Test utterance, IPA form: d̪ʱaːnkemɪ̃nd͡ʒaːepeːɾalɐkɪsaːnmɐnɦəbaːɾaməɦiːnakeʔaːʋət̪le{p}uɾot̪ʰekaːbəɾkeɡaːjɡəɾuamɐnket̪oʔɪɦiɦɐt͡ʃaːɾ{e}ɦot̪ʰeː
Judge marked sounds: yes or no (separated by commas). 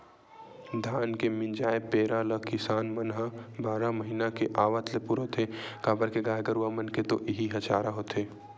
yes, no